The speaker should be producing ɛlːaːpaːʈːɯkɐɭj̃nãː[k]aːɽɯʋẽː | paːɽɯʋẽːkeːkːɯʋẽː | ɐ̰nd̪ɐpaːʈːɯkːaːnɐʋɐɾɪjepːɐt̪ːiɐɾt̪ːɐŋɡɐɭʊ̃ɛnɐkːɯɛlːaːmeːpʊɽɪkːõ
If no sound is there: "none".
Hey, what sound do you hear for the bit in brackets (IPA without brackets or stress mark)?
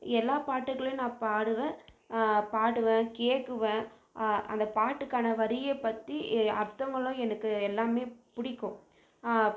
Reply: p